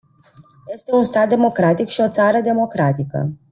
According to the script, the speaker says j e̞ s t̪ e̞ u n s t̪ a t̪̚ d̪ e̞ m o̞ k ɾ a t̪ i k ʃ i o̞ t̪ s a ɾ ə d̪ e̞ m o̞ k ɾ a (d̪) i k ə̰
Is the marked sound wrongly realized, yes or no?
yes